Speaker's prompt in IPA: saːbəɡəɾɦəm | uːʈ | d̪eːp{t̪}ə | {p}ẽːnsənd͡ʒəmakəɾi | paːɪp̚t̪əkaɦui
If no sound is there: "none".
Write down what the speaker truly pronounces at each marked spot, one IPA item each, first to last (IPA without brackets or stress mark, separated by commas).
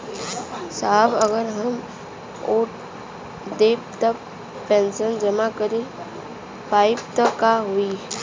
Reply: t̪, p